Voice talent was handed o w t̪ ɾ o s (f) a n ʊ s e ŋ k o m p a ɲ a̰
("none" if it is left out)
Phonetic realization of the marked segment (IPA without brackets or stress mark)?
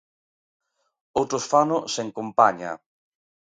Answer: f